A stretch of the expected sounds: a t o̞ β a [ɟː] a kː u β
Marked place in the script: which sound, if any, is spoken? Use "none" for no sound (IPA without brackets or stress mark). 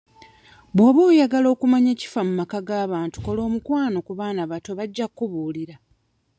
ɟː